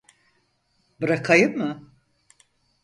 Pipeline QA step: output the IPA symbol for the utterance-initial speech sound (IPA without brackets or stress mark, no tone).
b